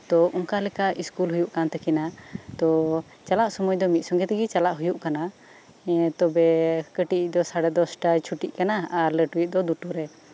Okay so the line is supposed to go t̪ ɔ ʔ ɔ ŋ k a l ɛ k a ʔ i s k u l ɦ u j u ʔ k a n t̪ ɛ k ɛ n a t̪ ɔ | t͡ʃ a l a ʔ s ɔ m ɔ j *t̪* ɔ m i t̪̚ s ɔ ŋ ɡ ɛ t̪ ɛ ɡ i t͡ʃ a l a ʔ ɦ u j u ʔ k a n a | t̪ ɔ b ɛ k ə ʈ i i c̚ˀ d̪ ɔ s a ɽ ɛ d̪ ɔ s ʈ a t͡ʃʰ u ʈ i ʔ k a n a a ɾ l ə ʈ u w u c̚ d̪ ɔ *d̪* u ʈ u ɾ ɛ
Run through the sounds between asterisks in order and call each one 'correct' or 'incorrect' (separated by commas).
incorrect, correct